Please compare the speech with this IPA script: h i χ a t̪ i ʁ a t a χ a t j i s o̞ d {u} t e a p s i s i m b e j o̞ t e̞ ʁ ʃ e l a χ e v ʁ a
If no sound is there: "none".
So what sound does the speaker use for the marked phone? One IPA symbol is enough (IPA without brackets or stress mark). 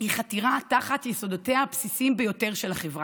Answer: o